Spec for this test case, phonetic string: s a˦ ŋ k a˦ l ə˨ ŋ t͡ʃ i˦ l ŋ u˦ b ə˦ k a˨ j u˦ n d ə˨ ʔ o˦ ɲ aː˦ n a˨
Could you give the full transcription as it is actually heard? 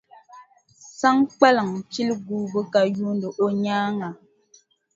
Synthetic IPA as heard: s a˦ ŋ k͡p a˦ l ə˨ ŋ t͡ʃ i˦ l ɡ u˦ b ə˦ k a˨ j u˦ n d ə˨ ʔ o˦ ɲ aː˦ ŋ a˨